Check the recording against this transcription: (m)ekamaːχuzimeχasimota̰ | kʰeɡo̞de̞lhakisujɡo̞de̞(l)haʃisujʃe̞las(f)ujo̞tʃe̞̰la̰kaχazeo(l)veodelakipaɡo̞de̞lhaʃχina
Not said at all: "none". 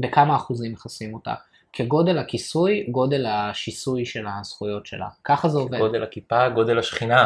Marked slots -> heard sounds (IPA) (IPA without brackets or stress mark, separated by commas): b, l, χ, none